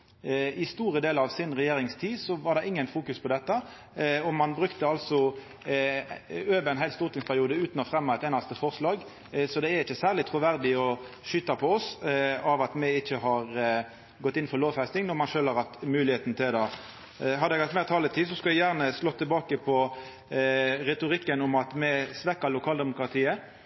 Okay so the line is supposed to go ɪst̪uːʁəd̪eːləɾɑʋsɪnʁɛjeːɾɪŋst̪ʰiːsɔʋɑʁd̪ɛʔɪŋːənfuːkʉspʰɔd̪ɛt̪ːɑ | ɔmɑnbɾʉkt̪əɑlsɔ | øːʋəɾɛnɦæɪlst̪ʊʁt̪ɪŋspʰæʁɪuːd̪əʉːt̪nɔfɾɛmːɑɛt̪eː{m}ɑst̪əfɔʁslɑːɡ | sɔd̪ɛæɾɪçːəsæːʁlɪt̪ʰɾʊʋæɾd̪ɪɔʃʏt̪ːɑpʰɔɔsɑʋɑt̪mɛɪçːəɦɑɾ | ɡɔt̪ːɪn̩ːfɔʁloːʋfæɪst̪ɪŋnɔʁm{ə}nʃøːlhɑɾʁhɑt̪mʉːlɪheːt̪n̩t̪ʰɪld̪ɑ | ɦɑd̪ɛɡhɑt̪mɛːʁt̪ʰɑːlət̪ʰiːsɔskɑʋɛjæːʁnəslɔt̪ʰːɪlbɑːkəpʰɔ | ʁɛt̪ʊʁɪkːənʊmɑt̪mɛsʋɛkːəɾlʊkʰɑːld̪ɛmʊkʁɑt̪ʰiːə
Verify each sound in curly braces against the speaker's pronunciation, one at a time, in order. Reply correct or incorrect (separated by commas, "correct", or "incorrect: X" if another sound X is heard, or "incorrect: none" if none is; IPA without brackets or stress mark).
incorrect: n, incorrect: ɑ